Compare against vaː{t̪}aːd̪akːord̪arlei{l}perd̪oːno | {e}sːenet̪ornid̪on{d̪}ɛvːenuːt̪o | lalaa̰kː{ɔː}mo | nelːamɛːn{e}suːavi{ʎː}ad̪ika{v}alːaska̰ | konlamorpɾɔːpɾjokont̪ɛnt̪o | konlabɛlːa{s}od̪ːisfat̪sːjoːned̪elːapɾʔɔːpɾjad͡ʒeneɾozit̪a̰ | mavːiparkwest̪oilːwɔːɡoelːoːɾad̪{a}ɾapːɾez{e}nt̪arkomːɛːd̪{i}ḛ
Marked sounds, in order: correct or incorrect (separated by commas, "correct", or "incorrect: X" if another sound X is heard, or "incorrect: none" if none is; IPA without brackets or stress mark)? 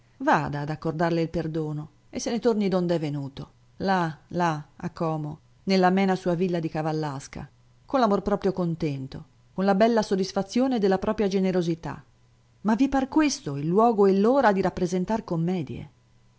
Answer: incorrect: d̪, correct, correct, correct, correct, incorrect: a, incorrect: lː, correct, correct, incorrect: i, correct, incorrect: j